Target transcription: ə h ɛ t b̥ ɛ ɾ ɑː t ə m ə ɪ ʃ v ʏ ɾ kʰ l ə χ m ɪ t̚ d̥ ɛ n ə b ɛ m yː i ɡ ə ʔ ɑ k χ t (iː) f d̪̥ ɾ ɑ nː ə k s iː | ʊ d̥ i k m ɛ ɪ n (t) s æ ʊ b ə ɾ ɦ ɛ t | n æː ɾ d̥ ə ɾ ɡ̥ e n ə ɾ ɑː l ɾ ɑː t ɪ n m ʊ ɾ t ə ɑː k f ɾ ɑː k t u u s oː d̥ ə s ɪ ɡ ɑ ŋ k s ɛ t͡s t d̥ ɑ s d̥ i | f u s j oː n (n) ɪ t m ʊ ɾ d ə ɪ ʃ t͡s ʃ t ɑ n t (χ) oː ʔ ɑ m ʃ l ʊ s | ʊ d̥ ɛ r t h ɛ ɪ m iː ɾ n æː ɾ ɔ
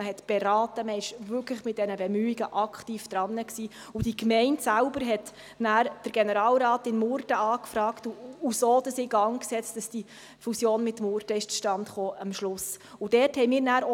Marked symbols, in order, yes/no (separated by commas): yes, yes, no, yes